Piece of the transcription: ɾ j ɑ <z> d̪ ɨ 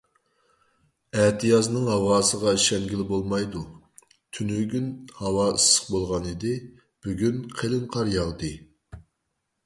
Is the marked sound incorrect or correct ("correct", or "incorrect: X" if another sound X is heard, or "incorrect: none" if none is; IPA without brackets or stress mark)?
incorrect: ʁ